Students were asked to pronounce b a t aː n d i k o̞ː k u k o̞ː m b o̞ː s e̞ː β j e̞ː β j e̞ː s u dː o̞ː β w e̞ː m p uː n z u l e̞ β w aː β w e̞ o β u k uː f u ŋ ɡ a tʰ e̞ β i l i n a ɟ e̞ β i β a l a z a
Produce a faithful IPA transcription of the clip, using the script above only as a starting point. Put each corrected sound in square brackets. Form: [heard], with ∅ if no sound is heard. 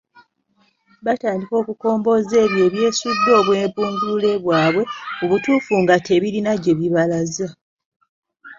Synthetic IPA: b a t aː n d i k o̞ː k u k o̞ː m b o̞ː [z] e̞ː β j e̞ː β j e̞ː s u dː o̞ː β w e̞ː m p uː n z u l e̞ β w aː β w e̞ o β u [t] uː f u ŋ ɡ a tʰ e̞ β i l i n a ɟ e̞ β i β a l a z a

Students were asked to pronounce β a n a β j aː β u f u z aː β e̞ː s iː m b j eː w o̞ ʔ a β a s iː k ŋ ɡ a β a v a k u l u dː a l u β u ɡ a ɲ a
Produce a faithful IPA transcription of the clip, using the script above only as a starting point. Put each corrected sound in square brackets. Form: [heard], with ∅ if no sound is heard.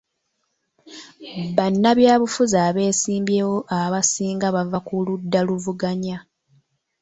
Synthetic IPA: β a [nː] a β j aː β u f u z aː β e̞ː s iː m b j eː w o̞ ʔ a β a s iː [∅] ŋ ɡ a β a v a k u l u dː a l u [v] u ɡ a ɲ a

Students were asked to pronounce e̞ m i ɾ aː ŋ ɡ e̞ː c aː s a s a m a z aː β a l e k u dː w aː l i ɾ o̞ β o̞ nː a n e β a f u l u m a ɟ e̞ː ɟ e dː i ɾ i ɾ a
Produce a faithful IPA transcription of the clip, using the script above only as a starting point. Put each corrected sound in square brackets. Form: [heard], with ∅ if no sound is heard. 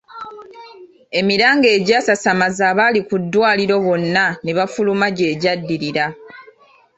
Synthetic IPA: e̞ m i ɾ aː ŋ ɡ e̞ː [ɟ] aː s a s a m a z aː β a l [i] k u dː w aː l i ɾ o̞ β o̞ nː a n e β a f u l u m a ɟ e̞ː ɟ [a] dː i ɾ i ɾ a

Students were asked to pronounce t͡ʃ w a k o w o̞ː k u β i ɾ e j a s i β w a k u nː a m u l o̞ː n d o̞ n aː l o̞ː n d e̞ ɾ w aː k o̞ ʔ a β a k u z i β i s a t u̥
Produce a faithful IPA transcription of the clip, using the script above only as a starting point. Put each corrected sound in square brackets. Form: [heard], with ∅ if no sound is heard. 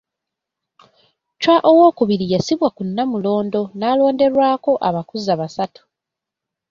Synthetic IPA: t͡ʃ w a [ʔ] o w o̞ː k u β i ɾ [i] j a s i β w a k u nː a m u l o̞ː n d o̞ n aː l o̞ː n d e̞ ɾ w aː k o̞ ʔ a β a k u z [a] β [a] s a t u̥

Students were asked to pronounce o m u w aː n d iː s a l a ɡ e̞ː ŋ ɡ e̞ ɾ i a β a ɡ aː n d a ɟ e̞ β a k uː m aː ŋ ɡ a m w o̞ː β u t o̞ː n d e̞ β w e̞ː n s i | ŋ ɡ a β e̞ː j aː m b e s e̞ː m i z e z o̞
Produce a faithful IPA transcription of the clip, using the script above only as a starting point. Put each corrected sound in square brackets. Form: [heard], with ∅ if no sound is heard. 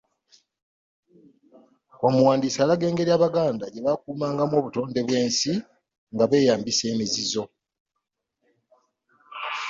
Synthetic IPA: o m u w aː n d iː s a l a ɡ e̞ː ŋ ɡ e̞ ɾ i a β a ɡ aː n d a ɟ e̞ β a k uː m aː ŋ ɡ a m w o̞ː β u t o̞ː n d e̞ β w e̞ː n s i | ŋ ɡ a β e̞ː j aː m b [i] s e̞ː m i z [i] z o̞

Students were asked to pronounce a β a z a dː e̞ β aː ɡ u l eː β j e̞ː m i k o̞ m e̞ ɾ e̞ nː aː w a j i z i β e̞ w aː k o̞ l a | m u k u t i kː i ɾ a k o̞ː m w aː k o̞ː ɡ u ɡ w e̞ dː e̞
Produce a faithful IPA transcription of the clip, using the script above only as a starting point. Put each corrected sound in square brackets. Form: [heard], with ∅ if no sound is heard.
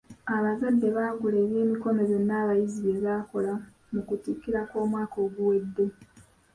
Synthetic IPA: a β a z a dː e̞ β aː ɡ u l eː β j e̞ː m i k o̞ m e̞ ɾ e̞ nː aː [β] a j i z i β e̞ [β] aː k o̞ l a | m u k u t i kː i ɾ a k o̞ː m w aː k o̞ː ɡ u [∅] w e̞ dː e̞

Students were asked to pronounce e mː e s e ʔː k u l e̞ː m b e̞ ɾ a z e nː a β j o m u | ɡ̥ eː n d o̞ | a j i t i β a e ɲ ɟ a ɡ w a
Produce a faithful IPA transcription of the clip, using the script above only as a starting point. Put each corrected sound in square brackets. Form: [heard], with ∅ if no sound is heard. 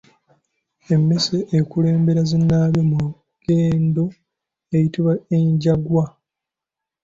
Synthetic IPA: e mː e s e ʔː k u l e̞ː m b e̞ ɾ a z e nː a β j o m u | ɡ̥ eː n d o̞ | [e] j i t i β a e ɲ ɟ a ɡ w a

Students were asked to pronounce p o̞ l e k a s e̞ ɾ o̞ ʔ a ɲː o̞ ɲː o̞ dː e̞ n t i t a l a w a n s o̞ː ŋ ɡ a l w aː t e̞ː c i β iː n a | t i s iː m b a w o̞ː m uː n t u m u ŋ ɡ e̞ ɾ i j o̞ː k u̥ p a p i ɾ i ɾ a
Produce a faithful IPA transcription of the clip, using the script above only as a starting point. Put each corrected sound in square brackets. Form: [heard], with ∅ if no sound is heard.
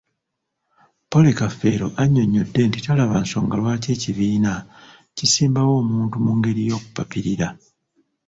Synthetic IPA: p o̞ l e k a [f] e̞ ɾ o̞ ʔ a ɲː o̞ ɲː o̞ dː e̞ n t i t a l a [β] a n s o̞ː ŋ ɡ a l w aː [c] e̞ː c i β iː n a | [c] i s iː m b a w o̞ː m uː n t u m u ŋ ɡ e̞ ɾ i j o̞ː k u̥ p a p i ɾ i ɾ a

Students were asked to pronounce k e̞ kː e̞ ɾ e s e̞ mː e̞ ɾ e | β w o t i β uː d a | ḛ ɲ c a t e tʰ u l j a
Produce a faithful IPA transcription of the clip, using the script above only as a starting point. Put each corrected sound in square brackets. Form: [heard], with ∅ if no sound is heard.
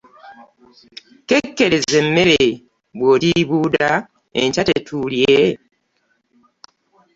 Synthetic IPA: k e̞ kː e̞ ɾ e [z] e̞ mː e̞ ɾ e | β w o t i β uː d a | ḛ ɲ c a t e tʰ u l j [e]

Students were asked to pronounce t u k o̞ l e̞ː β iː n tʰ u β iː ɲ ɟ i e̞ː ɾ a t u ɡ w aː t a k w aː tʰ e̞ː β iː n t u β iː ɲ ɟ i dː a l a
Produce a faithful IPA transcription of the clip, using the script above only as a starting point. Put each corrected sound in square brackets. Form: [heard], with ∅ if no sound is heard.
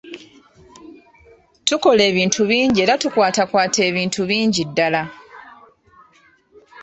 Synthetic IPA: t u k o̞ l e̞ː β iː n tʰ u β iː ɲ ɟ i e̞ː ɾ a t u [k] w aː t a k w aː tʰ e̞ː β iː n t u β iː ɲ ɟ i dː a l a

